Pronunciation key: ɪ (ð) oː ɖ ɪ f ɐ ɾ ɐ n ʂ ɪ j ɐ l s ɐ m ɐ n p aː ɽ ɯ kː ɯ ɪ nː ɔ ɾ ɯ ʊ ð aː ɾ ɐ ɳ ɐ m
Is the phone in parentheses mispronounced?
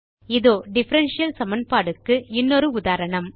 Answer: no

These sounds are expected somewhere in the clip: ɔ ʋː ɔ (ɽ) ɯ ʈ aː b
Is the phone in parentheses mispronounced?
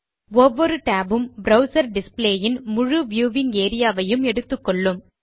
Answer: yes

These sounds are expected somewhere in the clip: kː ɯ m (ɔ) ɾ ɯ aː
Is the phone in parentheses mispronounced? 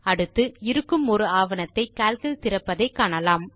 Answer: no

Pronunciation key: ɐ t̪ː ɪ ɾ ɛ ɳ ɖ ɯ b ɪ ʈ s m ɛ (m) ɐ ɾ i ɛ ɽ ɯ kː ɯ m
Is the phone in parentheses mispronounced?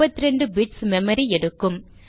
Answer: no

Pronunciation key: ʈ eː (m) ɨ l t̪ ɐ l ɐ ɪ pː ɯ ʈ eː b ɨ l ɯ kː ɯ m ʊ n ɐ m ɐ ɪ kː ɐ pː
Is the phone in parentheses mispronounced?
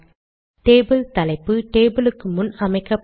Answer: yes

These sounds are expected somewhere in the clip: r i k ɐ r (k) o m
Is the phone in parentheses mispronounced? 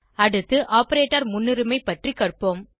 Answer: yes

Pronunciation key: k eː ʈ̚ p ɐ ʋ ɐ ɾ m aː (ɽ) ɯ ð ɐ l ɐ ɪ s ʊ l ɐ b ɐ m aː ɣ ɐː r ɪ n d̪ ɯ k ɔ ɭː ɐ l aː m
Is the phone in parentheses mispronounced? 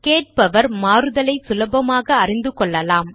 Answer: yes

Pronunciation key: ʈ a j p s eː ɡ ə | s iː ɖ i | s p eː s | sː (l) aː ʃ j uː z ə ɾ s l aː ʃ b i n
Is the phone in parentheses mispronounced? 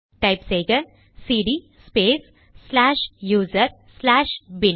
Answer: no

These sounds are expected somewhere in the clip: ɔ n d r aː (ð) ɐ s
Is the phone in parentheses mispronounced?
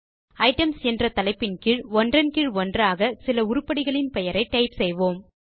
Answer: yes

